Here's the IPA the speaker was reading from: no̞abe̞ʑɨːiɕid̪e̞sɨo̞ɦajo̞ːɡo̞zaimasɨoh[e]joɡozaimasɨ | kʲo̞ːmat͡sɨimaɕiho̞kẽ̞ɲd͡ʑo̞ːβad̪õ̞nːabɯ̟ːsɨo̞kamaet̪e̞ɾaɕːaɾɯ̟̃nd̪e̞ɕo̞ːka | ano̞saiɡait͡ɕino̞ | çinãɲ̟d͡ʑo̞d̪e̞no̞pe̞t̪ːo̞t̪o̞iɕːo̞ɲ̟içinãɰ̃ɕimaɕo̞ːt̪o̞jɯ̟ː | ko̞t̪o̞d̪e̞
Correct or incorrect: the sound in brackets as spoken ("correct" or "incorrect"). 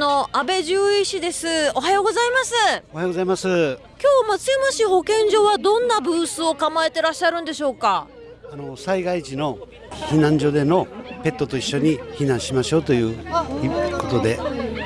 incorrect